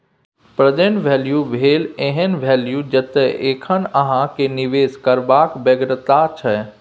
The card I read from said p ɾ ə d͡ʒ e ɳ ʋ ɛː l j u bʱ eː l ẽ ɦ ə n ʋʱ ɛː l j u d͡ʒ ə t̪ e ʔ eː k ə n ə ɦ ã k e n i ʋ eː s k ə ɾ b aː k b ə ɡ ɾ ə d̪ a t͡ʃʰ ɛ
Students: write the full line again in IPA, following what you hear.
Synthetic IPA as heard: p ɾ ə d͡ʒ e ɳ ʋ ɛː l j u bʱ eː l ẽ ɦ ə n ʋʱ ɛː l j u d͡ʒ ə t̪ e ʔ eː kʰ ə n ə ɦ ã k e n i ʋ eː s k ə ɾ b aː k b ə ɡ ɾ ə t̪ a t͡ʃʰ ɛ

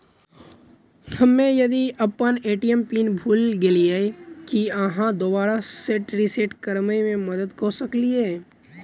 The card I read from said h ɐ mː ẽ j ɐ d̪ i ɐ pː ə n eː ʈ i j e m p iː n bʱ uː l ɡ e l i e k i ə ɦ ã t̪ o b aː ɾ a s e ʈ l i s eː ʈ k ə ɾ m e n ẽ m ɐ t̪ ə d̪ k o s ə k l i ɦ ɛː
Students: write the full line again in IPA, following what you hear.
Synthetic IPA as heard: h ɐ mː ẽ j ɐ d̪ i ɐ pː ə n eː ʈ i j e m p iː n bʱ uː l ɡ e l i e k i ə ɦ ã d̪ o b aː ɾ a s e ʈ ɾ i s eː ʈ k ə ɾ m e m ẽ m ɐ d̪ ə d̪ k o s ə k l i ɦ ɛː

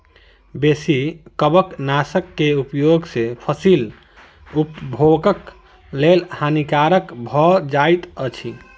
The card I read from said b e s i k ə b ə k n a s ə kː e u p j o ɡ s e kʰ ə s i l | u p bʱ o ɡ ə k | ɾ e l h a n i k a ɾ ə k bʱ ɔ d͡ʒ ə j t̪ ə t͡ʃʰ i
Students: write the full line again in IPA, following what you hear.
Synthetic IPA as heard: b e s i k ə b ə k n a s ə kː e u p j o ɡ s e pʰ ə s i l | u p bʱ o ɡ ə k | l e l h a n i k a ɾ ə k bʱ ɔ d͡ʒ a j t̪ ə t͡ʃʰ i

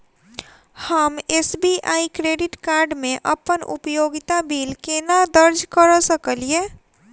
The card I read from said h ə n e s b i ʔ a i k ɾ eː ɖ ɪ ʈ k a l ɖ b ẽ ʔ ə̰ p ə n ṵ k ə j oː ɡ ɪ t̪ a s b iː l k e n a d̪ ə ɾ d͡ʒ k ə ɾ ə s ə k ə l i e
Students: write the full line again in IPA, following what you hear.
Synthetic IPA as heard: h ə m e s b i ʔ a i k ɾ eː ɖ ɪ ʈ k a ɾ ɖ m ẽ ʔ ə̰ p ə n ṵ p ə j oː ɡ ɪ t̪ a b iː l k e n a d̪ ə ɾ d͡ʒ k ə ɾ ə s ə k ə l i e

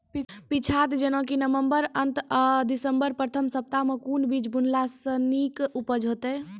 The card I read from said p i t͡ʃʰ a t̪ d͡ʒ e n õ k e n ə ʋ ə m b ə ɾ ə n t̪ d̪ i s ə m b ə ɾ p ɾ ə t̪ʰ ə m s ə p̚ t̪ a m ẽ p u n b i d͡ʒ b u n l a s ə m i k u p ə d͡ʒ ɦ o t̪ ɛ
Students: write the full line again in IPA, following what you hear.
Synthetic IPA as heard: p i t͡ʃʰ a t̪ d͡ʒ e n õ k i n ə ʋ ə m b ə ɾ ə n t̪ d̪ i s ə m b ə ɾ p ɾ ə t̪ʰ ə m s ə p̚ t̪ a m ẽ k u n b i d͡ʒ b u n l a s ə n i k u p ə d͡ʒ ɦ o t̪ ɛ

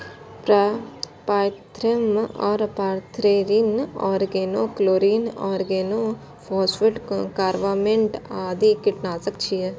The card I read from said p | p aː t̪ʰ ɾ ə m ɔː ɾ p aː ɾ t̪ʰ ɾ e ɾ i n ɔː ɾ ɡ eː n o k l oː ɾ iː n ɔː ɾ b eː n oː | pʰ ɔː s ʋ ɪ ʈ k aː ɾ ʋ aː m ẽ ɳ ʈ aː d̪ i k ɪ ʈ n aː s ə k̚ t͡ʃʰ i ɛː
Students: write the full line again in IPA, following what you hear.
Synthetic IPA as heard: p | p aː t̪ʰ ɾ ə m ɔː ɾ p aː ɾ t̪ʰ ɾ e ɾ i n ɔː ɾ ɡ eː n o k l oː ɾ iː n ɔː ɾ ɡ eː n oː | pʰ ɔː s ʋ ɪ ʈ k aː ɾ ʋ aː m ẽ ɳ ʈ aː d̪ i k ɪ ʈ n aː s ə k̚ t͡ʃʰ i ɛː

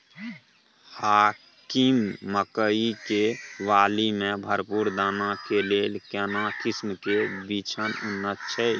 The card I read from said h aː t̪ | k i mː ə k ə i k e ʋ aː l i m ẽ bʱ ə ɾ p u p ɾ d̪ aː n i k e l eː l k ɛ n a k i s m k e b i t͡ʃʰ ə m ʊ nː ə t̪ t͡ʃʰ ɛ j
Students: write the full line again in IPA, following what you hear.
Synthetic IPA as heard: h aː | k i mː ə k ə i k e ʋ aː l i m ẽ bʱ ə ɾ p u ɾ d̪ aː n a k e l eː l k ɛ n a k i s m k e b i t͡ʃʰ ə n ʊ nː ə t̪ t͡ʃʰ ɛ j

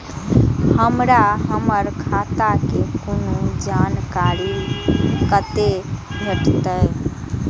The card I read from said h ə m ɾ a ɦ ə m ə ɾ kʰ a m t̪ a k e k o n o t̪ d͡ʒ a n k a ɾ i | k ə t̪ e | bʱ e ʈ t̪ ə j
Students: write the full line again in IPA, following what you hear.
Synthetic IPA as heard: h ə m ɾ a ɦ ə m ə ɾ kʰ a t̪ a k e k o n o d͡ʒ a n k a ɾ i | k ə t̪ e | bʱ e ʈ t̪ ə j

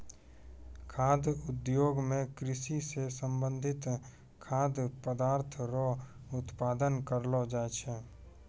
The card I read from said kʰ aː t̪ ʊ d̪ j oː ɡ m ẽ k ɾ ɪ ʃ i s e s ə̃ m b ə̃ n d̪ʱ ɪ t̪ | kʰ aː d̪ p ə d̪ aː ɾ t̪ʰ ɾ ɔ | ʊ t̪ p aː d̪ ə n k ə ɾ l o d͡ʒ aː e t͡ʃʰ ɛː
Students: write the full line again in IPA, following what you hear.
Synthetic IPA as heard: kʰ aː d̪ ʊ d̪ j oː ɡ m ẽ k ɾ ɪ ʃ i s e s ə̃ m b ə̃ n d̪ʱ ɪ t̪ | kʰ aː d̪ p ə d̪ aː ɾ t̪ʰ ɾ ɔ | ʊ t̪ p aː d̪ ə n k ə ɾ l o d͡ʒ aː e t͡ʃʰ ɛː

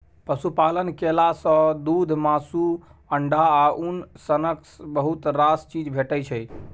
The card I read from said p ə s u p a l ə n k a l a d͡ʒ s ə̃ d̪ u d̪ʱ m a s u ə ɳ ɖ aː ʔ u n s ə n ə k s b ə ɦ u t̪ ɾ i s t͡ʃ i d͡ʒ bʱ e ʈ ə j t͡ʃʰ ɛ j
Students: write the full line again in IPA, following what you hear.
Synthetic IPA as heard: p ə s u p a l ə n k e l a s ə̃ d̪ u d̪ʱ m a s u ə ɳ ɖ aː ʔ u n s ə n ə k s b ə ɦ u t̪ ɾ a s t͡ʃ i d͡ʒ bʱ e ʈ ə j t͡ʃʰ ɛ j

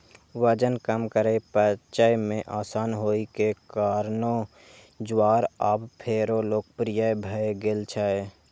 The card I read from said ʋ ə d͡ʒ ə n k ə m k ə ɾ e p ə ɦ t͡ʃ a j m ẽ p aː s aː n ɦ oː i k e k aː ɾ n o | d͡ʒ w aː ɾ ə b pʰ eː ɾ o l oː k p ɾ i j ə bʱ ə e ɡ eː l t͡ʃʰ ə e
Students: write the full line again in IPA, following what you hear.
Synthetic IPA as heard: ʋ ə d͡ʒ ə n k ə m k ə ɾ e p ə t͡ʃ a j m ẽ ʔ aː s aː n ɦ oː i k e k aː ɾ n o | d͡ʒ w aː ɾ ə b pʰ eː ɾ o l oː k p ɾ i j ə bʱ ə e ɡ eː l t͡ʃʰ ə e

